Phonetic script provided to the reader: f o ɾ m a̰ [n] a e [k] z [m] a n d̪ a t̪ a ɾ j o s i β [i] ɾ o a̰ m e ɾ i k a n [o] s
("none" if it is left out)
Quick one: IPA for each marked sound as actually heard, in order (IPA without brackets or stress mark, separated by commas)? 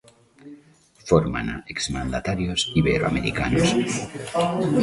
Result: n, k, m, e, o